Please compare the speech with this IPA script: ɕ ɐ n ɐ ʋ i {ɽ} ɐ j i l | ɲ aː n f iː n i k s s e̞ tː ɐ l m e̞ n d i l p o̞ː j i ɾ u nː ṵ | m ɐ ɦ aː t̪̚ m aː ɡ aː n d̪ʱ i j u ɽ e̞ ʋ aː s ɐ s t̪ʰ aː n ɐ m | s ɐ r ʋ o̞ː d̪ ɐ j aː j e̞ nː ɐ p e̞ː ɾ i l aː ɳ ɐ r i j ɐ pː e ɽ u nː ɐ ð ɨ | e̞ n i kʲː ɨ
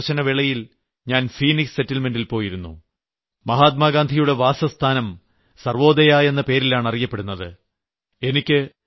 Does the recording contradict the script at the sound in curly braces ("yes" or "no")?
yes